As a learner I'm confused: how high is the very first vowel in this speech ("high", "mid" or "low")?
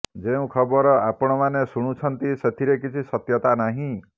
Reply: mid